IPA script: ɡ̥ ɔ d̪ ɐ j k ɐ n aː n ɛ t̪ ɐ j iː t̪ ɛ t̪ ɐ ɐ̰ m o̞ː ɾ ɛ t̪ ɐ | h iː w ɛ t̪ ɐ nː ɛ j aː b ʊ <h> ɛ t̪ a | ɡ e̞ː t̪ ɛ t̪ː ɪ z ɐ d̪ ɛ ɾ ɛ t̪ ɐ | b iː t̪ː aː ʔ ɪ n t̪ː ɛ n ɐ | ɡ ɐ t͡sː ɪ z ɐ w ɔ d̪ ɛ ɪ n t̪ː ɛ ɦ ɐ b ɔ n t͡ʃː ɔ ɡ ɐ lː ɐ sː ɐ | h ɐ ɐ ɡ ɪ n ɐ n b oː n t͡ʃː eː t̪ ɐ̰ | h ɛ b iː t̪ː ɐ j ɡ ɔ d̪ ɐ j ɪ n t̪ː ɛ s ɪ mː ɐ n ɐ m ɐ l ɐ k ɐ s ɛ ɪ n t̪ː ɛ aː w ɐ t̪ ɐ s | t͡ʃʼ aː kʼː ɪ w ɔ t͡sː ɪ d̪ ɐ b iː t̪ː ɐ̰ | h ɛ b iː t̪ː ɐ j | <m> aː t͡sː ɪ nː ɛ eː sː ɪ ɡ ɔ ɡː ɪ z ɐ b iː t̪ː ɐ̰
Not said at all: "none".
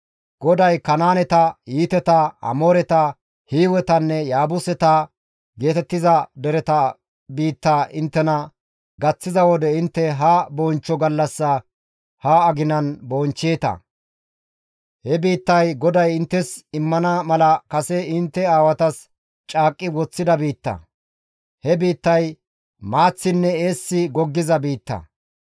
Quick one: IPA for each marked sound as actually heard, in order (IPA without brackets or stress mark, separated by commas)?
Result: s, m